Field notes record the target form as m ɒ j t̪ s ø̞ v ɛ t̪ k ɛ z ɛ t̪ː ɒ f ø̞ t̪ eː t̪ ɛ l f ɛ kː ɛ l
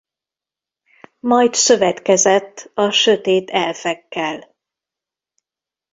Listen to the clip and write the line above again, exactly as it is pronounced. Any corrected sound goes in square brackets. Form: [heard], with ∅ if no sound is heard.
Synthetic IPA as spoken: m ɒ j t̪ s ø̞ v ɛ t̪ k ɛ z ɛ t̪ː ɒ [ʃ] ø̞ t̪ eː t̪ ɛ l f ɛ kː ɛ l

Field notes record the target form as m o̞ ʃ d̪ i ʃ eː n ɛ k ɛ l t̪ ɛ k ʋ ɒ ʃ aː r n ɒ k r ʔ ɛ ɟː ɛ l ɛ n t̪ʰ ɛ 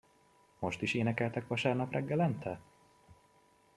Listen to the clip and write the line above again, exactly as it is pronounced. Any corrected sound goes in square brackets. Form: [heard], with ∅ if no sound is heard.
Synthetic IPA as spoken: m o̞ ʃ [t̪] i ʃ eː n ɛ k ɛ l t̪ ɛ k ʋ ɒ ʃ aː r n ɒ [p] r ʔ ɛ [ɡː] ɛ l ɛ n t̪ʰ ɛ

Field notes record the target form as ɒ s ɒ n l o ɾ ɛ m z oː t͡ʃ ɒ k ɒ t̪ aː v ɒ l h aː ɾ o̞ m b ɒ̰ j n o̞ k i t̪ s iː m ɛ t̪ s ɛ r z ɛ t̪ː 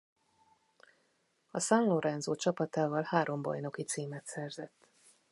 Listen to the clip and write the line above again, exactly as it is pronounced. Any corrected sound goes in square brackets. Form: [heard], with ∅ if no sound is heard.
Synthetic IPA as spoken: ɒ s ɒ n l o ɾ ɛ [n] z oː t͡ʃ ɒ [p] ɒ t̪ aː v ɒ l h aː ɾ o̞ m b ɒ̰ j n o̞ k i t̪ s iː m ɛ t̪ s ɛ r z ɛ t̪ː

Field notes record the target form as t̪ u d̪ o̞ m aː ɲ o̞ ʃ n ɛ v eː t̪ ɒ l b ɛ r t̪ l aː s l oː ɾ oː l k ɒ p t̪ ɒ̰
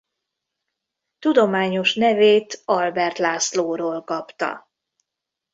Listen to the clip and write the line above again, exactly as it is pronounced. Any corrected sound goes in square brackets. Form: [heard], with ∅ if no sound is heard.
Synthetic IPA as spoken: t̪ u d̪ o̞ m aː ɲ o̞ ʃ n ɛ v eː t̪ ɒ l b ɛ r t̪ l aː s l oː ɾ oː l k ɒ p t̪ ɒ̰

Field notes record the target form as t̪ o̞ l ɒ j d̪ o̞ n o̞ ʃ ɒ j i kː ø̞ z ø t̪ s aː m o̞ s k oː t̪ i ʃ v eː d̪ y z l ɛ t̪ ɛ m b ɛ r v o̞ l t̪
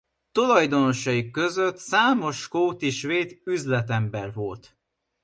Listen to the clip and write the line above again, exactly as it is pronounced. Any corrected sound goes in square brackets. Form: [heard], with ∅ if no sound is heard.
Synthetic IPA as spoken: t̪ o̞ l ɒ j d̪ o̞ n o̞ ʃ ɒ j i kː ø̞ z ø t̪ s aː m o̞ [ʃ] k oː t̪ i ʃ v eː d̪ y z l ɛ t̪ ɛ m b ɛ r v o̞ l t̪

